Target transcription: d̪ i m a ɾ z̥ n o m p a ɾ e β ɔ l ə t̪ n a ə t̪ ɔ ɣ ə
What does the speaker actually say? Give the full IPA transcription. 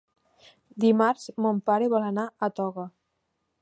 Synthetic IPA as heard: d̪ i m a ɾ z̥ m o m p a ɾ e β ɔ l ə n a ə t̪ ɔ ɣ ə